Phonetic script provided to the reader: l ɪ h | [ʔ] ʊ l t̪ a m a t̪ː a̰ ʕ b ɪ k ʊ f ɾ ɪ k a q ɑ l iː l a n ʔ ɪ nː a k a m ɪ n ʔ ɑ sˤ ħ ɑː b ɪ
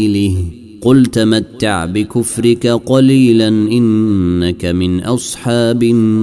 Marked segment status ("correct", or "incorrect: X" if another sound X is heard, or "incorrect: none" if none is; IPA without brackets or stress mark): incorrect: q